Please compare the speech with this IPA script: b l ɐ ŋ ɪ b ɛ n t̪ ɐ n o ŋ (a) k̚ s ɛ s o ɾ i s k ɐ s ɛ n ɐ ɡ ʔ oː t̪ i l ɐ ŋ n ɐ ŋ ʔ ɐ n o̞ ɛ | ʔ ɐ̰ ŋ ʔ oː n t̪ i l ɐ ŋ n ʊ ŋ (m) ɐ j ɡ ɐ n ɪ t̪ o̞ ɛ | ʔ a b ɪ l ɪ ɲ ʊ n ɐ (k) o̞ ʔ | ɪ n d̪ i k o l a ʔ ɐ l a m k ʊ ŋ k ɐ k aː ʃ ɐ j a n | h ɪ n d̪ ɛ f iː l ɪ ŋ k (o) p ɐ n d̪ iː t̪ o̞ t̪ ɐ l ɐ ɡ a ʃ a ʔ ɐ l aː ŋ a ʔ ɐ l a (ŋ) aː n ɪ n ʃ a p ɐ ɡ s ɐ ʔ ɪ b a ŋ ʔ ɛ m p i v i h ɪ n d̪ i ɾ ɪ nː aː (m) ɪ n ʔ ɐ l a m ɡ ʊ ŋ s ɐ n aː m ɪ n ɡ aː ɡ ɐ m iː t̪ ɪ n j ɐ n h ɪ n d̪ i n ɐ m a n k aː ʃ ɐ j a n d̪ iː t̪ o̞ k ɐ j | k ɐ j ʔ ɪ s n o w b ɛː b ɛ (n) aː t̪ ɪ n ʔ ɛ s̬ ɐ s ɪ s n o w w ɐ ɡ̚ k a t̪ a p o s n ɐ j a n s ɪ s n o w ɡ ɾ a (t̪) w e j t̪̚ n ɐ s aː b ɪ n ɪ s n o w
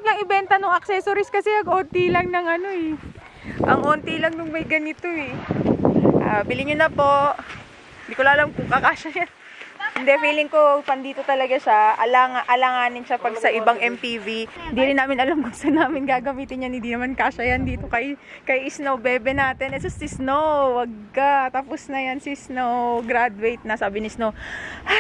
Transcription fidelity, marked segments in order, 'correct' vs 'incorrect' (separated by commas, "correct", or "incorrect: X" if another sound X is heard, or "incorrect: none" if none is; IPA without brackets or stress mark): incorrect: ɐ, correct, incorrect: p, correct, correct, correct, correct, incorrect: d̪